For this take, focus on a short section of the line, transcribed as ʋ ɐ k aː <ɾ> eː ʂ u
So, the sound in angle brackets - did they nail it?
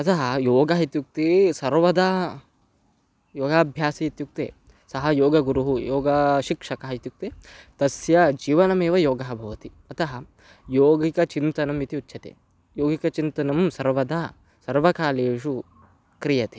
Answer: no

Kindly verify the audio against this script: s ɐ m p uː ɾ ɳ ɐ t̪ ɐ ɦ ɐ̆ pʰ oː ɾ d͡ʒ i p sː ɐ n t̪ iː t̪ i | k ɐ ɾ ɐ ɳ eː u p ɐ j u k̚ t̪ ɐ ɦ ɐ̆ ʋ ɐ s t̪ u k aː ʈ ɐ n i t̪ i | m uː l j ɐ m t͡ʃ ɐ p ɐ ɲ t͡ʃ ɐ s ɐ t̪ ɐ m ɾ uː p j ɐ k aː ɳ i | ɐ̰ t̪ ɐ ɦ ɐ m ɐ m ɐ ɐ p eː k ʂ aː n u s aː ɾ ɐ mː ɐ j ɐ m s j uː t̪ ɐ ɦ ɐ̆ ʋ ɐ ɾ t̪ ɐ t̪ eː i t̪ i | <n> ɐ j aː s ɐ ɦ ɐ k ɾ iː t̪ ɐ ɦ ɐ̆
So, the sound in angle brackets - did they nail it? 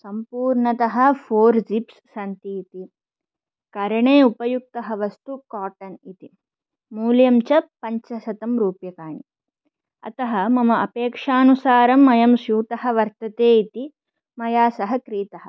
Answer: no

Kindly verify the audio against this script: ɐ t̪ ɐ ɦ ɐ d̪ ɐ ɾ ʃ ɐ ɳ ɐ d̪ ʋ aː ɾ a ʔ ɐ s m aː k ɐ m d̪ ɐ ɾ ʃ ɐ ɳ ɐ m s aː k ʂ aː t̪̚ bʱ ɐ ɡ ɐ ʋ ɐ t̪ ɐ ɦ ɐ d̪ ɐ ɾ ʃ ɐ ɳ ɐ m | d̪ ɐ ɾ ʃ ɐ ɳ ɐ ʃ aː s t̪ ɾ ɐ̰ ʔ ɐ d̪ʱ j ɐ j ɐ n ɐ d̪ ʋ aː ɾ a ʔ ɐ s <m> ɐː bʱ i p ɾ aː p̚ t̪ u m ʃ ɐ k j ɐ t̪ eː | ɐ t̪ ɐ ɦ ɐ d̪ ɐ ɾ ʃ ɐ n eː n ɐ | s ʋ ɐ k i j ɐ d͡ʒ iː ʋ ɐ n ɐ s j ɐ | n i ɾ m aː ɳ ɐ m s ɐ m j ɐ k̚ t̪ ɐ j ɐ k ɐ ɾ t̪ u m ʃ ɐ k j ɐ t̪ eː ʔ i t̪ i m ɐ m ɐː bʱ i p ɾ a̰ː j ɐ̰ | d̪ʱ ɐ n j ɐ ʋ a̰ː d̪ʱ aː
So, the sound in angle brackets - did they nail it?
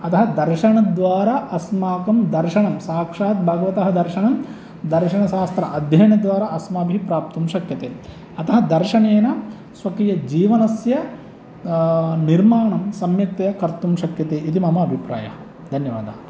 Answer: yes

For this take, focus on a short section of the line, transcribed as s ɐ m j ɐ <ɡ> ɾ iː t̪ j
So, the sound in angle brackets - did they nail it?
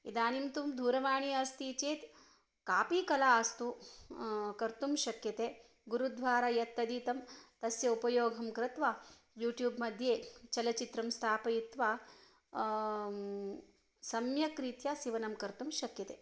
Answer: no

